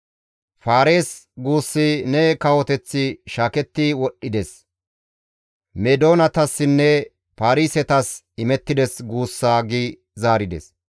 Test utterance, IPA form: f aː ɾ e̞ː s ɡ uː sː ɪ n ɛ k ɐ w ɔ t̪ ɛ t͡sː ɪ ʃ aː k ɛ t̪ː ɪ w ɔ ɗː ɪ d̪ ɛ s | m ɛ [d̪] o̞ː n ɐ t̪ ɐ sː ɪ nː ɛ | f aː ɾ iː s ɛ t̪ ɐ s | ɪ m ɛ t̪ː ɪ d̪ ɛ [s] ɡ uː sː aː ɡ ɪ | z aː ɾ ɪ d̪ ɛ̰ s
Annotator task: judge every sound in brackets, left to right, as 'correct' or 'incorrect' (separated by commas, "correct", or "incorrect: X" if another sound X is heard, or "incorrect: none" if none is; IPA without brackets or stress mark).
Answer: correct, correct